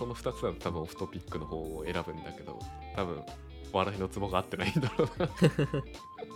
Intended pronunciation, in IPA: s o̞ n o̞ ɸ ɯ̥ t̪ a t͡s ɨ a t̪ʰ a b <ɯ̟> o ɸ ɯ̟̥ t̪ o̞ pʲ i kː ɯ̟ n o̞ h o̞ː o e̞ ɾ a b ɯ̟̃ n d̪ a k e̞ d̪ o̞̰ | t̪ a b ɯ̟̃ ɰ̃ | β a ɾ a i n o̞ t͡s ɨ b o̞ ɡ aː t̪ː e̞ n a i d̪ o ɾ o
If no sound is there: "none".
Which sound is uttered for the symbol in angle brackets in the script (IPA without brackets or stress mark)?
ɯ̟̃